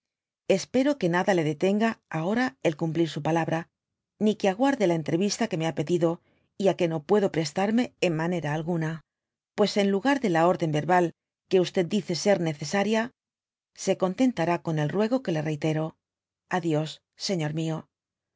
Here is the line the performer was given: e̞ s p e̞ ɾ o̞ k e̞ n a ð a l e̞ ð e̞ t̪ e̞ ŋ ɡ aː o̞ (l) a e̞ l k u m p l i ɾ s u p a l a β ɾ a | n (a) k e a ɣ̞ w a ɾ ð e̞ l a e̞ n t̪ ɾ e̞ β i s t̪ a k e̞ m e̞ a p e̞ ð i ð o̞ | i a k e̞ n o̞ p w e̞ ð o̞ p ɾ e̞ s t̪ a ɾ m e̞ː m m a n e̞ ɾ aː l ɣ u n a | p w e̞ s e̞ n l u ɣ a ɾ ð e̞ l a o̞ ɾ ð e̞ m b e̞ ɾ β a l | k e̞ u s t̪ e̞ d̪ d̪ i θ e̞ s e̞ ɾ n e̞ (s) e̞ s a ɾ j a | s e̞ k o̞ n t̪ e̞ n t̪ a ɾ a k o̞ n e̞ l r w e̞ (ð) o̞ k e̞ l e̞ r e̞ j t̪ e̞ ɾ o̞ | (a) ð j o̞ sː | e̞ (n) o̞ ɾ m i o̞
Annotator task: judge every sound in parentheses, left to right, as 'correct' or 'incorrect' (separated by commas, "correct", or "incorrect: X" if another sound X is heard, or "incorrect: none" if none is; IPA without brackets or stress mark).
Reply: incorrect: ɾ, incorrect: i, incorrect: θ, incorrect: ɣ, correct, incorrect: ɲ